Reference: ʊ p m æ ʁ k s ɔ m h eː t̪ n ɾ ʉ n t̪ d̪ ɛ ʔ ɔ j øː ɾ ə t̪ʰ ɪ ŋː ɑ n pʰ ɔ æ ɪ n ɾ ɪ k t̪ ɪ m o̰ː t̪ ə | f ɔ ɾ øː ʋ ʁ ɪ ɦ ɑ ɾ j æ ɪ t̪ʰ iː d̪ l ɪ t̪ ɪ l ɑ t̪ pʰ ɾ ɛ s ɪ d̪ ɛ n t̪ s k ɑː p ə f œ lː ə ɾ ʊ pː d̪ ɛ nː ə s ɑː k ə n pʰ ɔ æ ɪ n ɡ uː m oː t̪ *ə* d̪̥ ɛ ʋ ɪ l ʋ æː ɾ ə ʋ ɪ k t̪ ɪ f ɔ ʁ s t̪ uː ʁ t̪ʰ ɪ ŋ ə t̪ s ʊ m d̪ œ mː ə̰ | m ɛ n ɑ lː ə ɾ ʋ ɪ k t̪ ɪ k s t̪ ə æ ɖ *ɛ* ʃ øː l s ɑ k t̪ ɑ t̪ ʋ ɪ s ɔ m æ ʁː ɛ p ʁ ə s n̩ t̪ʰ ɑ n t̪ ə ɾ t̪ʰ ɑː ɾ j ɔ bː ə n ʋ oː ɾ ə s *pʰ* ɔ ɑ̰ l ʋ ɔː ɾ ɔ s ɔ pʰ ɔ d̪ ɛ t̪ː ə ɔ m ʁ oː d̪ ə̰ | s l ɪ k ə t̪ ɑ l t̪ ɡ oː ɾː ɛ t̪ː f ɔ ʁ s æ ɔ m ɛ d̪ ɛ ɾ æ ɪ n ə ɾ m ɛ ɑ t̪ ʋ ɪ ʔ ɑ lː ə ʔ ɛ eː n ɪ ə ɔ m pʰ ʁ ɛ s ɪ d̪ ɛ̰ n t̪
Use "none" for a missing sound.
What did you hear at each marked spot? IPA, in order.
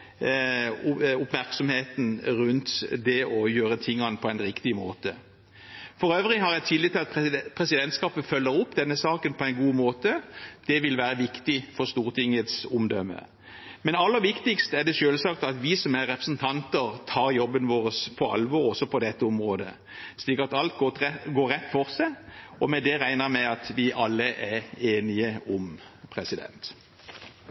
ə, ɛ, pʰ

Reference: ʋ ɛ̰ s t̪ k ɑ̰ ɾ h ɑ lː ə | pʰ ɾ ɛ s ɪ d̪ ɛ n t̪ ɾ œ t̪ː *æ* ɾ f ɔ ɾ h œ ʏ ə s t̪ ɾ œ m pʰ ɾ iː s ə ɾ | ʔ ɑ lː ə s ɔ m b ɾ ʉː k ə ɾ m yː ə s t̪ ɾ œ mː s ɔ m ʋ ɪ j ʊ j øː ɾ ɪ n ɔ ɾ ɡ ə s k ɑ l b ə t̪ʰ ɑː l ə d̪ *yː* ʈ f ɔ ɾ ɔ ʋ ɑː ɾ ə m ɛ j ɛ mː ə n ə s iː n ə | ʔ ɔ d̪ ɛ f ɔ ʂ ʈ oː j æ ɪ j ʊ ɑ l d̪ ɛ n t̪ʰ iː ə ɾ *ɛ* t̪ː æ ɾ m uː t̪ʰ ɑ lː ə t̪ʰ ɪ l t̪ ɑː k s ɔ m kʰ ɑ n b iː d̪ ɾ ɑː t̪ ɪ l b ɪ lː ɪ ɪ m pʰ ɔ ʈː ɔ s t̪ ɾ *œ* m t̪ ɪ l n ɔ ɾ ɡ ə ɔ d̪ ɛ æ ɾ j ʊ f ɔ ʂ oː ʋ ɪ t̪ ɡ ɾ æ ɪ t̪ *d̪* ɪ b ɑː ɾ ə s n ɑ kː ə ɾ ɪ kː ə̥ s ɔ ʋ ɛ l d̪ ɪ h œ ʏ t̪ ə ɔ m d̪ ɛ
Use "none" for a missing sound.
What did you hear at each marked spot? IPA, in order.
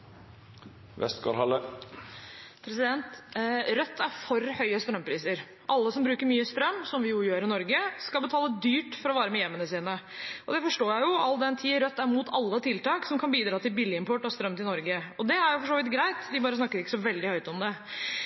æ, yː, œ, œ, d̪

